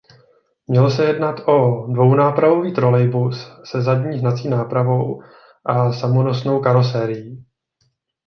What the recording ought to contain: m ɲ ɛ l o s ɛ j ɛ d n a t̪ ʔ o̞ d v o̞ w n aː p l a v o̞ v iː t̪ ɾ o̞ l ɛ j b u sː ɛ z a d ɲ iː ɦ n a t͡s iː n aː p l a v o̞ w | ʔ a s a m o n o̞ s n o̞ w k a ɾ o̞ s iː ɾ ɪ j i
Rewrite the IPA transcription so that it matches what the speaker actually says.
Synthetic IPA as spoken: m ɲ ɛ l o s ɛ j ɛ d n a t̪ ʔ o̞ d v o̞ w n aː p ɾ a v o̞ v iː t̪ ɾ o̞ l ɛ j b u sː ɛ z a d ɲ iː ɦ n a t͡s iː n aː p ɾ a v o̞ w | ʔ a s a m o n o̞ s n o̞ w k a ɾ o̞ s ɛː ɾ ɪ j i